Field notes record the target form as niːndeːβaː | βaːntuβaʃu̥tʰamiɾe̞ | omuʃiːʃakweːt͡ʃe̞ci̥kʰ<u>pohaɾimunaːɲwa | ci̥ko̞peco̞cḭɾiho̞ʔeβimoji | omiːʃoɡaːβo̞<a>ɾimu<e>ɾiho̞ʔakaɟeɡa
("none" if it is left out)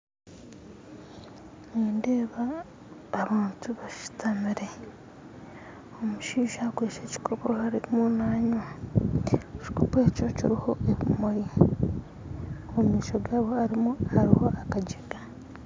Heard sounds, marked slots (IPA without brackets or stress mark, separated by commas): o, a, a